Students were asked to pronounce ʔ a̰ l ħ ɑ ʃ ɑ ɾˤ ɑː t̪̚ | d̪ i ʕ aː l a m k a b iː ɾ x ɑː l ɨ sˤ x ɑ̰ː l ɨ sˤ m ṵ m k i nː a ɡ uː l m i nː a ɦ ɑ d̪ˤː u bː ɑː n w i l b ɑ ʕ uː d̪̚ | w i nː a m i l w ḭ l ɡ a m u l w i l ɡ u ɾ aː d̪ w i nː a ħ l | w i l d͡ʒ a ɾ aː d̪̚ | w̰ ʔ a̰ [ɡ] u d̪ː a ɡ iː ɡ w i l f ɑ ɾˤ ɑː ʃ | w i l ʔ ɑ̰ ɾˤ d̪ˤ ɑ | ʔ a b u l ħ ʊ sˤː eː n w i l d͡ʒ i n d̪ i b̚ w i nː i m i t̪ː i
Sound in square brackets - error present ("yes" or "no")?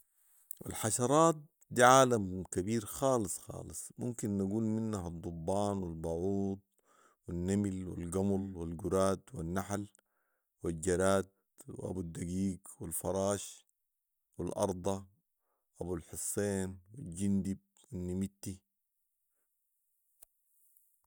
yes